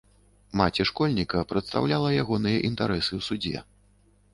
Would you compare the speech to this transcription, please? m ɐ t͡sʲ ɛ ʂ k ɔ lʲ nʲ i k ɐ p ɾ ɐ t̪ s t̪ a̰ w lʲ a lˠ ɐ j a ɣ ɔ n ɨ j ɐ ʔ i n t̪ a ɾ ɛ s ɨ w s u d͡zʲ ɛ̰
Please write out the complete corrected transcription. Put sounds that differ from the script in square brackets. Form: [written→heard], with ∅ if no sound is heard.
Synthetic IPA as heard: m [ɐ→a] t͡sʲ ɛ ʂ k ɔ lʲ nʲ i k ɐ p ɾ ɐ t̪ s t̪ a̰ w lʲ a lˠ ɐ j a ɣ ɔ n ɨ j ɐ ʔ i n t̪ a ɾ ɛ s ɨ w s u d͡zʲ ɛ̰

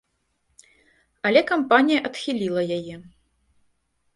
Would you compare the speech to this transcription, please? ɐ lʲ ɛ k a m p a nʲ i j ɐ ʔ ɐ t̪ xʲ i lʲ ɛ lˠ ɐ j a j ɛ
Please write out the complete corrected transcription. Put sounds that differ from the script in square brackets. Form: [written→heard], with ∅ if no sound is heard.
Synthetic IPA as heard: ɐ lʲ ɛ k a m p a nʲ i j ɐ ʔ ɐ t̪ xʲ i lʲ [ɛ→i] lˠ ɐ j a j ɛ

